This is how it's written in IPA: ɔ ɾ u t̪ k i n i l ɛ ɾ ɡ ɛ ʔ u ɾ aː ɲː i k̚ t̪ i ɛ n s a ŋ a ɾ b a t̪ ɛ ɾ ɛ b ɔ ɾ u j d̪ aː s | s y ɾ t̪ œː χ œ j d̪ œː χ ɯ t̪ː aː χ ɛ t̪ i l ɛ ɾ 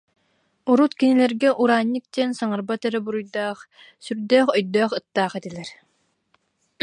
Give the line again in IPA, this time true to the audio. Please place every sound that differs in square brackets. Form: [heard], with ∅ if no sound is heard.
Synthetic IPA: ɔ ɾ u t̪ k i n i l ɛ ɾ ɡ ɛ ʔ u ɾ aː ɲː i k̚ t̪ i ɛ n s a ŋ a ɾ b a t̪ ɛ ɾ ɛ b [u] ɾ u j d̪ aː [χ] | s y ɾ [d̪] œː χ œ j d̪ œː χ ɯ t̪ː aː χ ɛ t̪ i l ɛ ɾ